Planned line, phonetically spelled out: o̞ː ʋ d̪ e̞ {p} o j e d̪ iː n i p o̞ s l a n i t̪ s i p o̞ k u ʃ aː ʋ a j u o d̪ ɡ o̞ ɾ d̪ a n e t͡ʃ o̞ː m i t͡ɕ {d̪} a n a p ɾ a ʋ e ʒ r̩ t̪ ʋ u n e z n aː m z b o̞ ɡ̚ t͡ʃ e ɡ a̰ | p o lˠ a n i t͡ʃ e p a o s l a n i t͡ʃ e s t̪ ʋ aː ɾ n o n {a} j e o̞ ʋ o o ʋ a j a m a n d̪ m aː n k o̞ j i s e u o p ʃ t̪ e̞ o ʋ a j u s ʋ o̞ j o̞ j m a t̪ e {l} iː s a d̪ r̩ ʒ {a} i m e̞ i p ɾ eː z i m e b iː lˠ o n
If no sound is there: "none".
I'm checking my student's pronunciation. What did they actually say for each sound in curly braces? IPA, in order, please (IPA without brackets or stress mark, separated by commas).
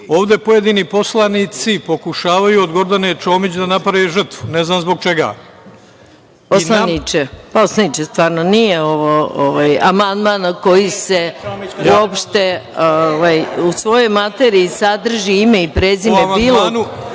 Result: p, d̪, i, ɾ, i